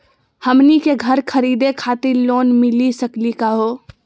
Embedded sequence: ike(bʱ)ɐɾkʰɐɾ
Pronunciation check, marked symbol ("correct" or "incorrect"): incorrect